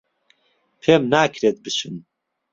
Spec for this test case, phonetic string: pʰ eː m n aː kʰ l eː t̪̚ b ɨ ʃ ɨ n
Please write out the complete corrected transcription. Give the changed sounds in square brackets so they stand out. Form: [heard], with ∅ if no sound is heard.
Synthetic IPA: pʰ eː m n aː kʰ [ɾ] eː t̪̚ b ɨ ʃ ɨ n